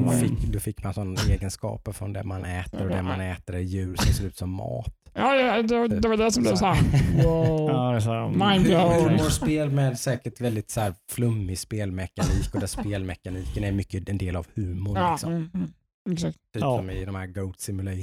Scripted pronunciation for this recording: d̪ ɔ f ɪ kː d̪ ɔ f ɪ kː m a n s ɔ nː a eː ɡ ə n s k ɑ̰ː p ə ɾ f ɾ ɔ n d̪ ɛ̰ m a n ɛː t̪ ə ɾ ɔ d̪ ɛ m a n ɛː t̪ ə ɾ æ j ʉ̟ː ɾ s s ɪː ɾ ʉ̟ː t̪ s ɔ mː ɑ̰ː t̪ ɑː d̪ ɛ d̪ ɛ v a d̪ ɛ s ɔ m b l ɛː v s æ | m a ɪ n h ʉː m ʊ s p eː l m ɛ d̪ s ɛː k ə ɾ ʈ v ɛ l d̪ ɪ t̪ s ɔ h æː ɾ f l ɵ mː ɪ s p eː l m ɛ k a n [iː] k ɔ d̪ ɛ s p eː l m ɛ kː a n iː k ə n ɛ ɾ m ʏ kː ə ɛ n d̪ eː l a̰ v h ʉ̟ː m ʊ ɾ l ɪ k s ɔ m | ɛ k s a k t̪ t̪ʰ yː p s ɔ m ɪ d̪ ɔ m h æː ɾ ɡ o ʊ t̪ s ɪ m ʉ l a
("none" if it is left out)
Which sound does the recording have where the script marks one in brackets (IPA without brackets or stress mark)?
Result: iː